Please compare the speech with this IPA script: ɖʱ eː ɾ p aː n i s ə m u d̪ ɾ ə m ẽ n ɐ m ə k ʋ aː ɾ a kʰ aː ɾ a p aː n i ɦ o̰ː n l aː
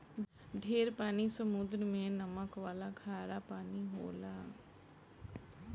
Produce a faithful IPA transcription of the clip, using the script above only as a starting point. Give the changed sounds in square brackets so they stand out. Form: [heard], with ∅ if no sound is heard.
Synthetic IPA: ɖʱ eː ɾ p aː n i s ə m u d̪ ɾ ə m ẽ n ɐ m ə k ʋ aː [l] a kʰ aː ɾ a p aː n i ɦ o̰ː [∅] l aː